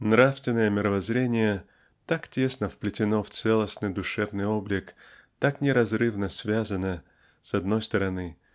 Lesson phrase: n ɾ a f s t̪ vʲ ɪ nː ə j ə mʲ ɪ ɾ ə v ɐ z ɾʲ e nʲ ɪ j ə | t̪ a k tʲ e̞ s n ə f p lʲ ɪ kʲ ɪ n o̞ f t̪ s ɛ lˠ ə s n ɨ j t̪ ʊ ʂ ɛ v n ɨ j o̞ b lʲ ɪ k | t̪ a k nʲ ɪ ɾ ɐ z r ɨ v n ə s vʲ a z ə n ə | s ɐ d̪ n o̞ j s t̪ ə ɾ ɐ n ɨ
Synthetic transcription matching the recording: n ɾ a f s t̪ vʲ ɪ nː ə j ə mʲ ɪ ɾ ə v ɐ z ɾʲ e nʲ ɪ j ə | t̪ a k tʲ e̞ s n ə f p lʲ ɪ tʲ ɪ n o̞ f t̪ s ɛ lˠ ə s n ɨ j d̪ ʊ ʂ ɛ v n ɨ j o̞ b lʲ ɪ k | t̪ a k nʲ ɪ ɾ ɐ z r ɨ v n ə s vʲ a z ə n ə | s ɐ d̪ n o̞ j s t̪ ə ɾ ɐ n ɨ